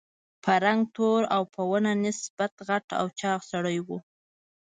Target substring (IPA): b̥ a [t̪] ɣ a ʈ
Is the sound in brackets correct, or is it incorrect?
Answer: correct